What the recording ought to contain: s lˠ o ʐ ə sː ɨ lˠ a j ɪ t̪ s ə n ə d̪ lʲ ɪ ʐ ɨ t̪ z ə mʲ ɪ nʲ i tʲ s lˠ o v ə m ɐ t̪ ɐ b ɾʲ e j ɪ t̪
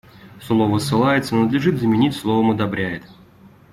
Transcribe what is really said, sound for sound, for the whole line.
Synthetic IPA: s lˠ o v ə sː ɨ lˠ a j ɪ t̪ s ə n ə d̪ lʲ ɪ ʐ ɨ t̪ z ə mʲ ɪ nʲ i tʲ s lˠ o v ə m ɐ d̪ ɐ b ɾʲ æ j ɪ t̪